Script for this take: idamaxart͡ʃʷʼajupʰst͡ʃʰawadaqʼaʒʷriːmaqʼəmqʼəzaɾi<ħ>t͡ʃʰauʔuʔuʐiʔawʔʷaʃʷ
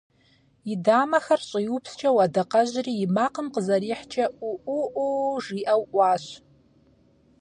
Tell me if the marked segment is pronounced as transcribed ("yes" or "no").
yes